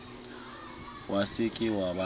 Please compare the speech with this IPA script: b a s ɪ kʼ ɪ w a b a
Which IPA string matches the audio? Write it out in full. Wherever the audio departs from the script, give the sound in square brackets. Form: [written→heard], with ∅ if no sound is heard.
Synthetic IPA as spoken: [b→w] a s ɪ kʼ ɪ w a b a